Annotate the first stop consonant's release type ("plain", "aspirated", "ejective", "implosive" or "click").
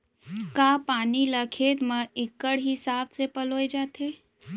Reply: plain